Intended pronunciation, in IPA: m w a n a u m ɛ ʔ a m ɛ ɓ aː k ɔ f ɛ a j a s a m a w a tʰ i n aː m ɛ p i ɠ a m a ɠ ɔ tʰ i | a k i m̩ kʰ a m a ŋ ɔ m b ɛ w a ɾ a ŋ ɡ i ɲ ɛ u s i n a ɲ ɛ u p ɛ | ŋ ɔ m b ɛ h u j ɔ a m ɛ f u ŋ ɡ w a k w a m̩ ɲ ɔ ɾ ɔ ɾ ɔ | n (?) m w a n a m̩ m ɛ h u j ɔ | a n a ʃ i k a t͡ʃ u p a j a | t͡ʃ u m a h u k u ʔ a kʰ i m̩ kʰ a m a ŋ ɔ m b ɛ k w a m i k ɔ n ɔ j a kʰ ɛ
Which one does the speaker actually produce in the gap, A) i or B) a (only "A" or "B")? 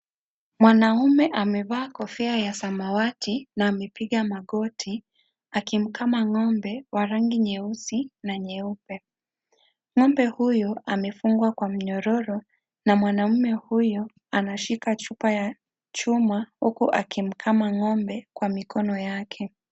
B